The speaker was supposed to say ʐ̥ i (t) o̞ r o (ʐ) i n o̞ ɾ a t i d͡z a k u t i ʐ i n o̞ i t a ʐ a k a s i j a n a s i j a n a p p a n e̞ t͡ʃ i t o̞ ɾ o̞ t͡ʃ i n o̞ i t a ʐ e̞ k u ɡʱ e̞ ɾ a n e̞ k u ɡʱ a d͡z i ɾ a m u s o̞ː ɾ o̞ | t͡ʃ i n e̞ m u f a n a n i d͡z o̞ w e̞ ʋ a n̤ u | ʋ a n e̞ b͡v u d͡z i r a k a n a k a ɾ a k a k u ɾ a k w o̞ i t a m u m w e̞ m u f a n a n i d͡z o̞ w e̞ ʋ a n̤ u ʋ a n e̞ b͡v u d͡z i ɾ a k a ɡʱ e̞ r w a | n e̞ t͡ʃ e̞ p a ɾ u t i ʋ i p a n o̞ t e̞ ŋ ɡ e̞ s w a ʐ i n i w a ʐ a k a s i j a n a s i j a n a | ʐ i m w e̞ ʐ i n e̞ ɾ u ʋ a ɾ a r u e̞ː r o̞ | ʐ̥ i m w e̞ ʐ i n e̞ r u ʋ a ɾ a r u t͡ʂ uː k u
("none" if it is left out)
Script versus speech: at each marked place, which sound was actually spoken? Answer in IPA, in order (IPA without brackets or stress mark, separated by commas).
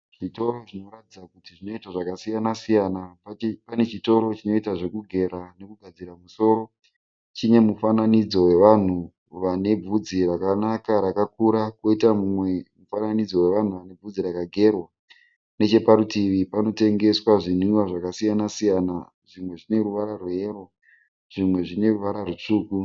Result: t, ʐ